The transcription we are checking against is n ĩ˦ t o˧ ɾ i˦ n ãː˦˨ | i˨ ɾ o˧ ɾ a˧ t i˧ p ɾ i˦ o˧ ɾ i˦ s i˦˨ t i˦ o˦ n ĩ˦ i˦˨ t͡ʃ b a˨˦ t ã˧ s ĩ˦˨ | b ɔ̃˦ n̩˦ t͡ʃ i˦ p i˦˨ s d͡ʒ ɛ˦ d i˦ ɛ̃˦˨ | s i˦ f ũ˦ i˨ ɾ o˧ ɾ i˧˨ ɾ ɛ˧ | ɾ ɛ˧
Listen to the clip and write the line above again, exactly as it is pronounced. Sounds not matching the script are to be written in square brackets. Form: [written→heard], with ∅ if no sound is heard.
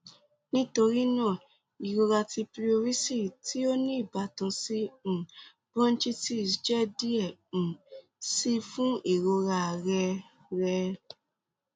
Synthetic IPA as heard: n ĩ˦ t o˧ ɾ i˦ n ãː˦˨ | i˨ ɾ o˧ ɾ a˧ t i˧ p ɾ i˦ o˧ ɾ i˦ s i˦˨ t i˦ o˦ n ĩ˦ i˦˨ [t͡ʃ→∅] b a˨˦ t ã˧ s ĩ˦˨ | b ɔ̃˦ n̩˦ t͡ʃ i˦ [p→t] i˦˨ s d͡ʒ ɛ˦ d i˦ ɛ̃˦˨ | s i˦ f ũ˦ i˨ ɾ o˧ ɾ [i˧˨→a˧˨] ɾ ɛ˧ | ɾ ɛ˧